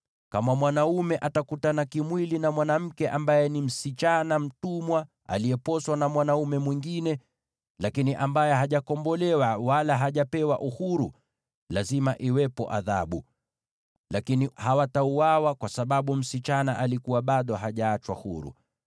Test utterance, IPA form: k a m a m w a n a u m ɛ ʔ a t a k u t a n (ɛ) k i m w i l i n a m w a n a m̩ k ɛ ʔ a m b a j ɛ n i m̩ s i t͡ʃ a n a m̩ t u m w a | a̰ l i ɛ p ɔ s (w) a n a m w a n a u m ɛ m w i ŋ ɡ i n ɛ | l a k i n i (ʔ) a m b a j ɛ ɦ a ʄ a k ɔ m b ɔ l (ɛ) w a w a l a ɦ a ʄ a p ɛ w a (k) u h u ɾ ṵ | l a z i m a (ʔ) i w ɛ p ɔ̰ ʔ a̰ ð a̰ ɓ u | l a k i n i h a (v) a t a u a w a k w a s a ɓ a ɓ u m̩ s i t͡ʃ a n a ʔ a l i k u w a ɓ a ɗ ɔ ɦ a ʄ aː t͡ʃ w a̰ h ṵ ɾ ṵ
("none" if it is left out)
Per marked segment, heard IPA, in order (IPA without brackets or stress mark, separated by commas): a, w, ʔ, ɛ, ʔ, ʔ, w